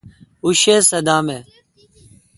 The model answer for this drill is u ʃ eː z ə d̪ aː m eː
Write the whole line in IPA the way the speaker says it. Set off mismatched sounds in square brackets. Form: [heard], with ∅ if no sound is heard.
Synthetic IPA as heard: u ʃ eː [s] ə d̪ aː m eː